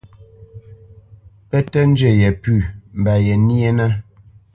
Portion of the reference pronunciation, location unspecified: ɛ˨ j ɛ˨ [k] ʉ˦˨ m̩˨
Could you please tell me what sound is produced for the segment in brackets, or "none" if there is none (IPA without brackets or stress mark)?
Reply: p